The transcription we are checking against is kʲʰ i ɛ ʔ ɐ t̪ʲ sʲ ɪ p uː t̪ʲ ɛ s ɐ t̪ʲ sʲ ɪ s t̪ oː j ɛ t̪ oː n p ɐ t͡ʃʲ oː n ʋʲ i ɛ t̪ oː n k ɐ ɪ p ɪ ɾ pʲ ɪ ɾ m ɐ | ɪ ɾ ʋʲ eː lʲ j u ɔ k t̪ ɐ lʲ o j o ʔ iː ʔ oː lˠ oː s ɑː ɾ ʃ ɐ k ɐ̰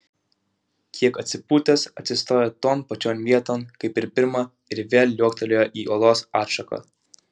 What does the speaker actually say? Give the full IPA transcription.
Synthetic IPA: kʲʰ i ɛ k ɐ t̪ʲ sʲ ɪ p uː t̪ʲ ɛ s ɐ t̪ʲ sʲ ɪ s t̪ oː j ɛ t̪ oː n p ɐ t͡ʃʲ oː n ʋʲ i ɛ t̪ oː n k ɐ ɪ p ɪ ɾ pʲ ɪ ɾ m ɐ | ɪ ɾ ʋʲ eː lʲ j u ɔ k t̪ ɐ lʲ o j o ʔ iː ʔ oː lˠ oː s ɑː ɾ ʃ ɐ k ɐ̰